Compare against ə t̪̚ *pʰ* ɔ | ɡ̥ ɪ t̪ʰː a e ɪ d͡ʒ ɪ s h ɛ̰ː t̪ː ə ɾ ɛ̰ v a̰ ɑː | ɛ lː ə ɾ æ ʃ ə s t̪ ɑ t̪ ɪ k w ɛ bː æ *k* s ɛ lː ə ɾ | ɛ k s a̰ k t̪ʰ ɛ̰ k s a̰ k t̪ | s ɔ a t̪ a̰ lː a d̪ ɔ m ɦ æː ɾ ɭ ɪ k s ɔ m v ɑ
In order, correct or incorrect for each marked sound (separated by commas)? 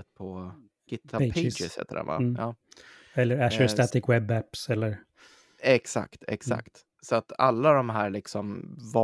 correct, incorrect